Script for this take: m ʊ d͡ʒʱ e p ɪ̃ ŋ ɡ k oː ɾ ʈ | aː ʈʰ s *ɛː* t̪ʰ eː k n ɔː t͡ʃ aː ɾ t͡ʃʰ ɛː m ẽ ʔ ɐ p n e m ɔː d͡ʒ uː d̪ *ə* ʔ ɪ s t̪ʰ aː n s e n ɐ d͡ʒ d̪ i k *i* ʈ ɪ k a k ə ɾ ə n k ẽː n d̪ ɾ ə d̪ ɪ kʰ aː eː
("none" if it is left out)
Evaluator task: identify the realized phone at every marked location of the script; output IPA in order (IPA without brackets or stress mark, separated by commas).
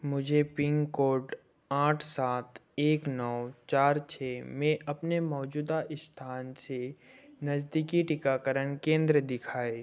aː, a, i